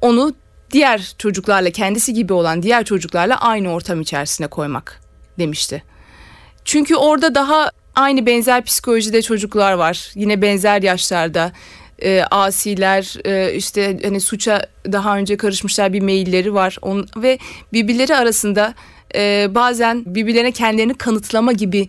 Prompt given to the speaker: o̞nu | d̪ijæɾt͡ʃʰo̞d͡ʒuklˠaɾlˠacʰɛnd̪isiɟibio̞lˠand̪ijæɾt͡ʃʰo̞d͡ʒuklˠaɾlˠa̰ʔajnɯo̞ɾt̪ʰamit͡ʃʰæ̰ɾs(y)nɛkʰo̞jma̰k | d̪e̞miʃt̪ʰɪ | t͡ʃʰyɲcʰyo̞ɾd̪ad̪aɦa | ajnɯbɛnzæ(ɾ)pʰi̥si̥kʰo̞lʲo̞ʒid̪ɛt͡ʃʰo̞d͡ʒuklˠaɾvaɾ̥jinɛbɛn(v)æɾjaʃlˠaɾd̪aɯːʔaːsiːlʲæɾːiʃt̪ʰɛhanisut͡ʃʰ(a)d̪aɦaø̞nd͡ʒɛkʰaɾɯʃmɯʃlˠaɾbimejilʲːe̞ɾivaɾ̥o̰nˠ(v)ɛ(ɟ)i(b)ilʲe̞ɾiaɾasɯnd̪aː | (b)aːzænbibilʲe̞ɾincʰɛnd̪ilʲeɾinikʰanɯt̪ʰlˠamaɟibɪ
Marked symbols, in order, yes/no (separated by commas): no, yes, no, yes, yes, no, yes, yes